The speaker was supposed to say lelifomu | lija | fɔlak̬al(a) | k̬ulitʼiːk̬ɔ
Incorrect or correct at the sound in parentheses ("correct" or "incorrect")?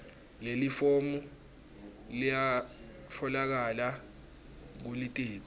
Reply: correct